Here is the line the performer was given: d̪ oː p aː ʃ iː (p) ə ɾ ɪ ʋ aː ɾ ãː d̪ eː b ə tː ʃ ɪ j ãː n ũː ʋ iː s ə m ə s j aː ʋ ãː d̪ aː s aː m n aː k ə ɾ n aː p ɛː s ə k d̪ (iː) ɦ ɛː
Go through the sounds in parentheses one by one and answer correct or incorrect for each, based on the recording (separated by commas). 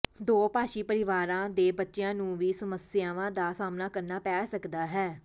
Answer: correct, incorrect